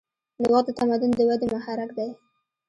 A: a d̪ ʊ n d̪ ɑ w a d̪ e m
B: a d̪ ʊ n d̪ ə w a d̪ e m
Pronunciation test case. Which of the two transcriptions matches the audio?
B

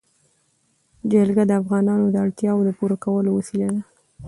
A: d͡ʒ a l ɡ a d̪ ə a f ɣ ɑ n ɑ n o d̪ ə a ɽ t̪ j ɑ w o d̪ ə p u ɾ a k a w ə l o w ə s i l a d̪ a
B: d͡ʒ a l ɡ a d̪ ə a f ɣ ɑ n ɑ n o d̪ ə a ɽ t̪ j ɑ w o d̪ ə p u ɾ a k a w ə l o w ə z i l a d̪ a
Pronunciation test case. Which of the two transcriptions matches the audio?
A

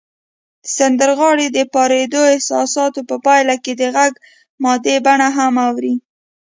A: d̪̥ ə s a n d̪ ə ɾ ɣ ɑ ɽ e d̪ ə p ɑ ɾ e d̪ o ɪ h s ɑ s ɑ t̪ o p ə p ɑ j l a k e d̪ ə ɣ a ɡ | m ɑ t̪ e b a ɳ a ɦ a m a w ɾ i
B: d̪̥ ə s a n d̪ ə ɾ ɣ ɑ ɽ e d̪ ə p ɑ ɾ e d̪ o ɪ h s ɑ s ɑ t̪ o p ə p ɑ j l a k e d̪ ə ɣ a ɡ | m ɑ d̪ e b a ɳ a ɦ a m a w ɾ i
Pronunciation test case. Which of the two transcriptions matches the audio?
B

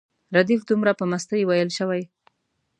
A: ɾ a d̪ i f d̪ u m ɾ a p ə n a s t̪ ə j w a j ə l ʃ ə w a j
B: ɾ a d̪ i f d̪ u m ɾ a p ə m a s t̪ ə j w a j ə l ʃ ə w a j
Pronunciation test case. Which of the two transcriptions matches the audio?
B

